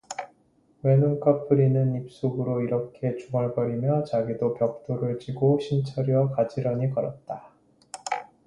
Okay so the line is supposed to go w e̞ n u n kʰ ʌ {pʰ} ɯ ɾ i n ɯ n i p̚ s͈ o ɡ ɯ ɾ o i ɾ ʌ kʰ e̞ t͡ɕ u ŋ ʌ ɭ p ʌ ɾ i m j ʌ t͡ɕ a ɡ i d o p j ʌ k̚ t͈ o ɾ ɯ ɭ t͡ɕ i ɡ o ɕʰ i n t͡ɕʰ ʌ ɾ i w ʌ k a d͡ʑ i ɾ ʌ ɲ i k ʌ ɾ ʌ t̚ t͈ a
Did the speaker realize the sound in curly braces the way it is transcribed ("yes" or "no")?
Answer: yes